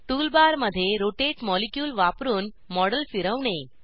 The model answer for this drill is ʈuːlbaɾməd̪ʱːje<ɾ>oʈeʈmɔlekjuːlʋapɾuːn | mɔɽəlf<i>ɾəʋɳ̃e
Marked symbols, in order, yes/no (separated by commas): yes, yes